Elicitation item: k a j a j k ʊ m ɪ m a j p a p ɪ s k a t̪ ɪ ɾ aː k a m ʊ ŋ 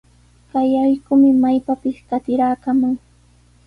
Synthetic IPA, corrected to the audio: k a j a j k ʊ m ɪ m a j p a p ɪ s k a t̪ ɪ ɾ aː k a m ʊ ŋ